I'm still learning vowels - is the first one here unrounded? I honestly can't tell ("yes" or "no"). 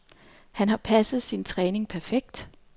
yes